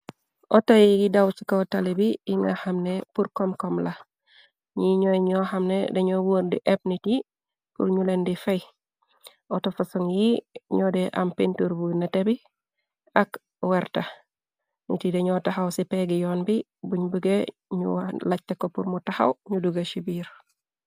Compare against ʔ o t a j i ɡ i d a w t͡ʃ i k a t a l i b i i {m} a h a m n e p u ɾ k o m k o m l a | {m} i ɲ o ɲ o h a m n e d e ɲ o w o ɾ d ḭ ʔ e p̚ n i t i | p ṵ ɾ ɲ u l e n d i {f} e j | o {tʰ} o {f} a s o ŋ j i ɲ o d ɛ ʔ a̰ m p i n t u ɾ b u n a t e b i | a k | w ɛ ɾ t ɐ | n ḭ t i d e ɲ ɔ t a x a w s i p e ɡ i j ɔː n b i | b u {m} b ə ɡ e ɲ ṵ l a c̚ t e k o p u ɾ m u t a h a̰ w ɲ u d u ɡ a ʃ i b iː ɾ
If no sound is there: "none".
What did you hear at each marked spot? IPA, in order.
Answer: ŋ, ɲ, f, t, f, ɲ

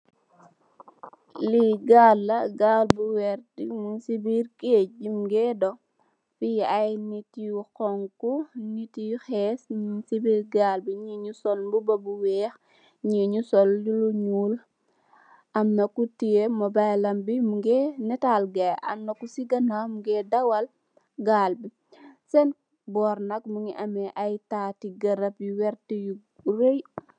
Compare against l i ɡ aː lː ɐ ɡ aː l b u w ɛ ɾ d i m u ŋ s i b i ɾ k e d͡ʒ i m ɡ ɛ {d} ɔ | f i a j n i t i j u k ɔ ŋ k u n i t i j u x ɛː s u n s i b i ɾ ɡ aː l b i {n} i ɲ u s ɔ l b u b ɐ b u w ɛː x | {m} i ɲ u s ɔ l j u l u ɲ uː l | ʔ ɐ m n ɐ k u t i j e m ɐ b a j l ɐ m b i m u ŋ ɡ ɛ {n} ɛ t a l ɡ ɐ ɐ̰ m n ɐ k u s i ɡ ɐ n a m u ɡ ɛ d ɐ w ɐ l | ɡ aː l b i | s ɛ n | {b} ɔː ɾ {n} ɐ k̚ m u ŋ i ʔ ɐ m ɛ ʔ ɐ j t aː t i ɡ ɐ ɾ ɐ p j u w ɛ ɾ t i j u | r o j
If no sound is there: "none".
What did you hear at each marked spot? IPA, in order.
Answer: d, ɲ, ɲ, n, b, n

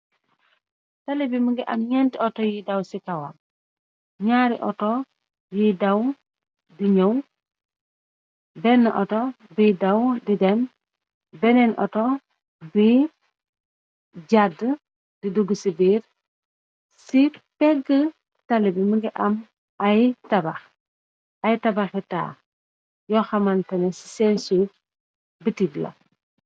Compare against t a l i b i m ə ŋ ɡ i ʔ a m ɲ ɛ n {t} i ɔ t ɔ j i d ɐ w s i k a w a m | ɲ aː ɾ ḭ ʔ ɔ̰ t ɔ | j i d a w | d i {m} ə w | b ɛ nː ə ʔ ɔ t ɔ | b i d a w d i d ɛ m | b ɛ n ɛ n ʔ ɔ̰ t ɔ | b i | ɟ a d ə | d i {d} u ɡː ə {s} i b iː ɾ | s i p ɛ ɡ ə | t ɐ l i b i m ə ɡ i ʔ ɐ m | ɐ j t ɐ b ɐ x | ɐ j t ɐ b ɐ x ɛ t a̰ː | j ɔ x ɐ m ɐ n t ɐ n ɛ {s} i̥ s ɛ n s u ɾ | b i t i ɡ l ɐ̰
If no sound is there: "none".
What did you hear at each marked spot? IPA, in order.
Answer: t, ɲ, d, s, s

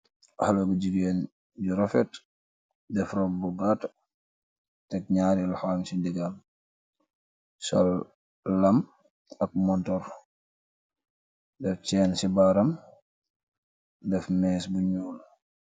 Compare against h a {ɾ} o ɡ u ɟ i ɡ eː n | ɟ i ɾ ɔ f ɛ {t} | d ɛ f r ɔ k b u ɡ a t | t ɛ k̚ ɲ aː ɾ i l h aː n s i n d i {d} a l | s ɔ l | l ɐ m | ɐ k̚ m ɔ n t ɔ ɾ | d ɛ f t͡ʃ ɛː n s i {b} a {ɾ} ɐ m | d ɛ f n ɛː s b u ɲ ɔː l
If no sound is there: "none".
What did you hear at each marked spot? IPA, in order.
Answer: l, t, ɡ, b, ɾ

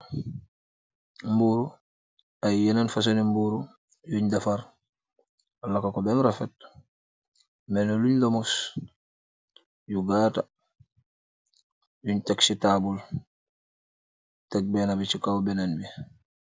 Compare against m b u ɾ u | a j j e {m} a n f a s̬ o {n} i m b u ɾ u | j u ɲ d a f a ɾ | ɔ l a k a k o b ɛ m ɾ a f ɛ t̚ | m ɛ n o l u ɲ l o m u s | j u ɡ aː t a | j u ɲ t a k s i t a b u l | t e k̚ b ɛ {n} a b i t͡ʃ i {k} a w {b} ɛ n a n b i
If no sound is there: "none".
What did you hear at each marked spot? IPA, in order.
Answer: n, n, n, k, b

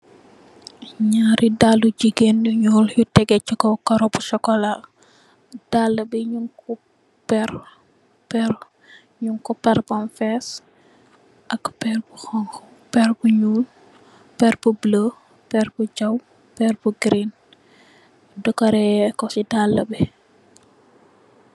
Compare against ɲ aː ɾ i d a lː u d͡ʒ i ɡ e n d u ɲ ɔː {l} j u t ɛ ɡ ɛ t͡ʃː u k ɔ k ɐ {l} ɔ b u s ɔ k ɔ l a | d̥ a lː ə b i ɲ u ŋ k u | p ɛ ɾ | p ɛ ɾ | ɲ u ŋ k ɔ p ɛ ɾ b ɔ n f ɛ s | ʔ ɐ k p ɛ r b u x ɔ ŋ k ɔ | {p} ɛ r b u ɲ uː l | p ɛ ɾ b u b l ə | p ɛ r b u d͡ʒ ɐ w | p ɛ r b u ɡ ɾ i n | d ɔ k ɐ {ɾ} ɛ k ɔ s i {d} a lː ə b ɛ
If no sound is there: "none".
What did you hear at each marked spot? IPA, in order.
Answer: l, ɾ, p, ɾ, d

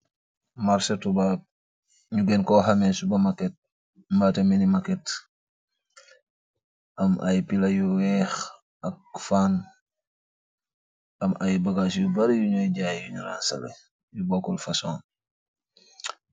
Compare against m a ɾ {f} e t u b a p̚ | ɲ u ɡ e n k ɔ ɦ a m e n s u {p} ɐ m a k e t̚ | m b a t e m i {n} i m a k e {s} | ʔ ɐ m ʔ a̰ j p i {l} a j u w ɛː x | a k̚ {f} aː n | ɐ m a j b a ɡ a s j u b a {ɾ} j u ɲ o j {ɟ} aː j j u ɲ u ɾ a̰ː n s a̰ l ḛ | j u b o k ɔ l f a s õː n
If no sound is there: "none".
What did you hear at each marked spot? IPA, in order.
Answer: s, b, n, t, l, f, ɾ, ɟ

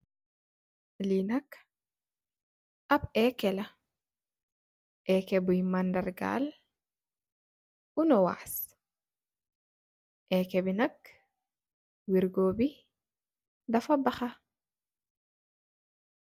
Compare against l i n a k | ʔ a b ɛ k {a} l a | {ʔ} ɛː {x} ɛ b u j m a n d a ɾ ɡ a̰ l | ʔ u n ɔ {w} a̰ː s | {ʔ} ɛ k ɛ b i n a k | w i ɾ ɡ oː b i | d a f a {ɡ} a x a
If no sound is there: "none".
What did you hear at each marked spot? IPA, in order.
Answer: ɛ, ʔ, k, w, ʔ, b

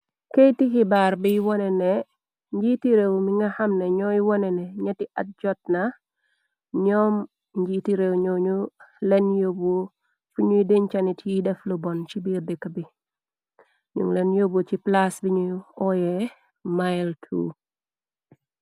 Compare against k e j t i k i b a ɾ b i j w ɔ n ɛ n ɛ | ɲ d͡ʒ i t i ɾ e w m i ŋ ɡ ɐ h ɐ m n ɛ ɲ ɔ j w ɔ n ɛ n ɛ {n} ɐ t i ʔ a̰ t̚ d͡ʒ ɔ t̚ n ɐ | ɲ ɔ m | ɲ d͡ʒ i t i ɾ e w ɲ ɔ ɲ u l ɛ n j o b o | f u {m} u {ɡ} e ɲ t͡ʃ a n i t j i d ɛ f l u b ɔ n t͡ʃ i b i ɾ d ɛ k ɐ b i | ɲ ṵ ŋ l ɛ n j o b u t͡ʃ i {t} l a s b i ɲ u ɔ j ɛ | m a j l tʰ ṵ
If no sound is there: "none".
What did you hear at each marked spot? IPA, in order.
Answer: ɲ, ɲ, d, p

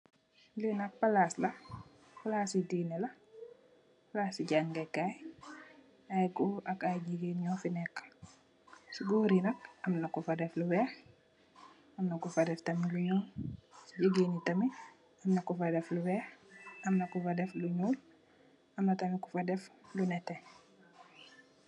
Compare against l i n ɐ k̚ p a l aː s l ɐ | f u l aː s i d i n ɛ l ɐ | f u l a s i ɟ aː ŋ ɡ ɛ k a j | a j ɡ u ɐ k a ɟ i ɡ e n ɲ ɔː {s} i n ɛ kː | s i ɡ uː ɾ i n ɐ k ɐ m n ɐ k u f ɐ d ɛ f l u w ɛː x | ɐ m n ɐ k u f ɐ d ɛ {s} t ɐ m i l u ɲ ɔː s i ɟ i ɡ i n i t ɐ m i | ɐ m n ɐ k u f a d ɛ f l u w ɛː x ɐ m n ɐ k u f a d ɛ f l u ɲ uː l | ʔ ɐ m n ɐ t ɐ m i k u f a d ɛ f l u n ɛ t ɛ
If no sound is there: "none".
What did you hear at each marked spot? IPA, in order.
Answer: f, f

